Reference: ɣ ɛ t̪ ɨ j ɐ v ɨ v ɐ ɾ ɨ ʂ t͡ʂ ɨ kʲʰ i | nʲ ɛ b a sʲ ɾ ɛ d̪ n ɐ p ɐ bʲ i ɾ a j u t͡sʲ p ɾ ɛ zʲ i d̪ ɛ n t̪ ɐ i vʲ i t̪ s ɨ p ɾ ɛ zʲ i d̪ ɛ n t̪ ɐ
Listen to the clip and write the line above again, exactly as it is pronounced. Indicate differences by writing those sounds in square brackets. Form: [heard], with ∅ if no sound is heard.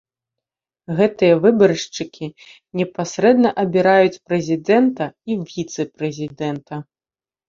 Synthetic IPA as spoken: ɣ ɛ t̪ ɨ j ɐ v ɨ [b] ɐ ɾ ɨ ʂ t͡ʂ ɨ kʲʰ i | nʲ ɛ [p] a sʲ ɾ ɛ d̪ n ɐ [ʔ] ɐ bʲ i ɾ a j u t͡sʲ p ɾ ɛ zʲ i d̪ ɛ n t̪ ɐ i vʲ i t̪ s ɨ p ɾ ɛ zʲ i d̪ ɛ n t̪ ɐ